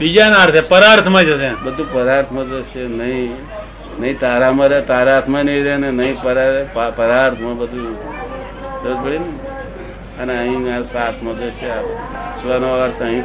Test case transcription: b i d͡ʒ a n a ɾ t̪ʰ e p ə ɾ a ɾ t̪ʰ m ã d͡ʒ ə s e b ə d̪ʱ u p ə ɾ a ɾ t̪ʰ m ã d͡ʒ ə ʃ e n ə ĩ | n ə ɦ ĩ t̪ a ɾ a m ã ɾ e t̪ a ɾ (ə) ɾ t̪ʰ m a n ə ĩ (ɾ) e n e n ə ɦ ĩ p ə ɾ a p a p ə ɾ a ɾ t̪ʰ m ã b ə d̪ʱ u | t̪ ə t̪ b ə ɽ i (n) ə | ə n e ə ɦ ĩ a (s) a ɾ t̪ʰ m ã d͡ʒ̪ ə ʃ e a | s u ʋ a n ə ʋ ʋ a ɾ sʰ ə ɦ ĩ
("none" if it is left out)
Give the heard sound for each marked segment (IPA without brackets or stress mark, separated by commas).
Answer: a, ɾ, n, s